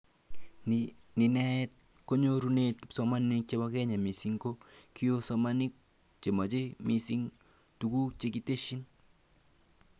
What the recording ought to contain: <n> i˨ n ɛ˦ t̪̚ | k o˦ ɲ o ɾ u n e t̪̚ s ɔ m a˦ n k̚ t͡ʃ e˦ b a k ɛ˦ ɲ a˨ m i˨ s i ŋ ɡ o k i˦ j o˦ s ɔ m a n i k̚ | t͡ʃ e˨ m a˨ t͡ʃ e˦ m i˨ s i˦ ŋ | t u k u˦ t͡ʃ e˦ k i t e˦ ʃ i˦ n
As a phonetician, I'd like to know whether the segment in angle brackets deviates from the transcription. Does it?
no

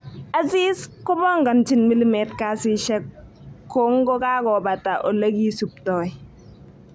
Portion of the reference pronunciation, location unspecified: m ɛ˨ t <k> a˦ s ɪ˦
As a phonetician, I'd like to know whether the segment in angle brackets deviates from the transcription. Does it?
no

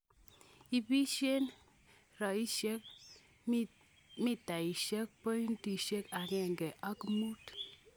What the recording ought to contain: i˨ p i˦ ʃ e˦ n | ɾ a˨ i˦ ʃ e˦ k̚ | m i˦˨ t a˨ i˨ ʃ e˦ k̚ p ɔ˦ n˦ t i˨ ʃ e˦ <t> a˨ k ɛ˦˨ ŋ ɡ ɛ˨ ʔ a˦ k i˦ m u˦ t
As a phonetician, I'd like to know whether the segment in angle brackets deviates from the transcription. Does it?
yes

